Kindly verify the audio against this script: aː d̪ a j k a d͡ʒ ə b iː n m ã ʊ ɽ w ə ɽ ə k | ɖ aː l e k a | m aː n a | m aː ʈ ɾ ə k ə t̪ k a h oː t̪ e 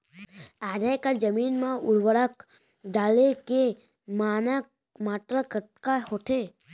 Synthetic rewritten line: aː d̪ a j k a d͡ʒ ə m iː n m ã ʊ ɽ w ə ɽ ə k | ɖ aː l e k e | m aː n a | m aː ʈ ɾ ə k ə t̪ k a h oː t̪ e